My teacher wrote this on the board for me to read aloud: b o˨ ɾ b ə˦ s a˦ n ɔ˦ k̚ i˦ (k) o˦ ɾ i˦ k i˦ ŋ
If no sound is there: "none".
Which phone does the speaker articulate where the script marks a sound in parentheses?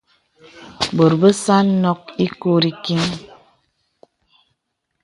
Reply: k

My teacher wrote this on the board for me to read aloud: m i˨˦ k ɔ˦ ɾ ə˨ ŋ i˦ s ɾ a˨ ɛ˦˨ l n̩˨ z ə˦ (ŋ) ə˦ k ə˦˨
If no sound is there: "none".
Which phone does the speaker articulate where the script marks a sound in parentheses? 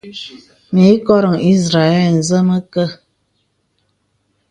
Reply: m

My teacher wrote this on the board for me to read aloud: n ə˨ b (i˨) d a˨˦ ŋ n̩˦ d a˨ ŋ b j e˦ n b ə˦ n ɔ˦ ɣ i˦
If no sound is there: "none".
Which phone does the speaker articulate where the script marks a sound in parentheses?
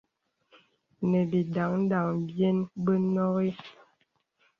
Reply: i˨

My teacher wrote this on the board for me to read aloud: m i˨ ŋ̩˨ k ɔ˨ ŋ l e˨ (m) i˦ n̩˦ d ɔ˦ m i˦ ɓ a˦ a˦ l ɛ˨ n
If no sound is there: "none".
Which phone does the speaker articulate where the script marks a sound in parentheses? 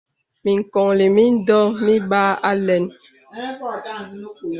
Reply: m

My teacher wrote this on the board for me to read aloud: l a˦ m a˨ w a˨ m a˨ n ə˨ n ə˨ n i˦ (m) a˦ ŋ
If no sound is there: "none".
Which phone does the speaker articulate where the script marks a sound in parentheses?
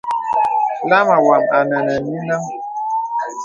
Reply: n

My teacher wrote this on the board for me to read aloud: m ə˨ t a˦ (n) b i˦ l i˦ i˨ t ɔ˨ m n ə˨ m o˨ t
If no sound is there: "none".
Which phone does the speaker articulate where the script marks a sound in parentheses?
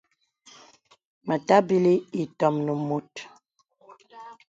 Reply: none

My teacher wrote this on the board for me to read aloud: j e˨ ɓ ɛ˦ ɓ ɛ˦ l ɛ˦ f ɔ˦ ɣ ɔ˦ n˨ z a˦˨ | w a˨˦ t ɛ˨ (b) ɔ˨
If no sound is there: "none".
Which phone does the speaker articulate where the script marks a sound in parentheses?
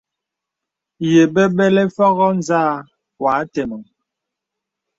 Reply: m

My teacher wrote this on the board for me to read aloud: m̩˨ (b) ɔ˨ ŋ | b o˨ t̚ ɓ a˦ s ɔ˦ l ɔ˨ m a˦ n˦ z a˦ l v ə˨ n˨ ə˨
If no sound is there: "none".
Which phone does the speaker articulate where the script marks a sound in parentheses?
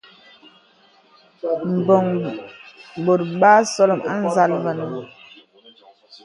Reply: b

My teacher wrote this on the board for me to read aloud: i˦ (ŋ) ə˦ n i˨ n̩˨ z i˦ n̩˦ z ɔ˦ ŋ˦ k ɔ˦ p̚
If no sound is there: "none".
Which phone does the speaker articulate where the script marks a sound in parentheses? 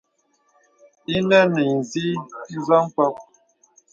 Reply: n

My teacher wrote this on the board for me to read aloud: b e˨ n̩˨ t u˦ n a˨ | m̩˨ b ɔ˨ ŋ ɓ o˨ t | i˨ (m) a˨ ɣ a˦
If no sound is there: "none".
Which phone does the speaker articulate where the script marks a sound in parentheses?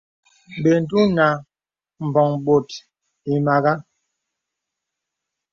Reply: m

